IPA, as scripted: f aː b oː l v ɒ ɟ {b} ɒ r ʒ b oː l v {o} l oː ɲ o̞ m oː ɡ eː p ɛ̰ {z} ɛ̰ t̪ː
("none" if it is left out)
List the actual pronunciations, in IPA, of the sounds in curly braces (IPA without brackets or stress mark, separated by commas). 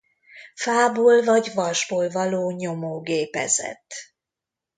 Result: v, ɒ, z